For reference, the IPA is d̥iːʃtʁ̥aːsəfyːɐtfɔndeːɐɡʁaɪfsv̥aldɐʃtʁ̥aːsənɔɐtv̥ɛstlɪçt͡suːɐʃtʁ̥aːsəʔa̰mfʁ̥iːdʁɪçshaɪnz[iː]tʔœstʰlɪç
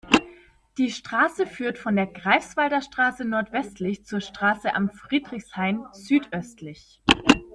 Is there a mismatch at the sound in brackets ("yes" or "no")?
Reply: yes